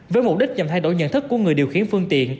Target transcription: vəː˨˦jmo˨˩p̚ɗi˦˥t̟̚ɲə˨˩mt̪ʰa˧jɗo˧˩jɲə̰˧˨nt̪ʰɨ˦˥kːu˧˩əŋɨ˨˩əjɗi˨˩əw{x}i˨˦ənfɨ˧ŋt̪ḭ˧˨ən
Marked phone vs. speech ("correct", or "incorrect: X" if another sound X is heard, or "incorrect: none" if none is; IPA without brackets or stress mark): correct